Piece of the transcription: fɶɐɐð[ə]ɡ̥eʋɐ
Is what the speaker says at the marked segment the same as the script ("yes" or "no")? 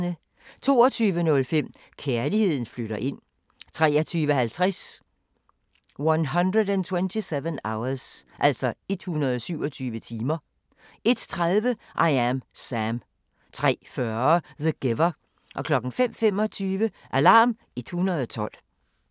yes